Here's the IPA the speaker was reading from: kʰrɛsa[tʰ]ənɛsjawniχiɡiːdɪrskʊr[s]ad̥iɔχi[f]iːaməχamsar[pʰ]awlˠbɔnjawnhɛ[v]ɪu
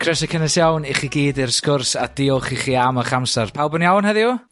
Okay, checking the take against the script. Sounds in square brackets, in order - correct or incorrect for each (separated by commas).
incorrect, correct, incorrect, correct, incorrect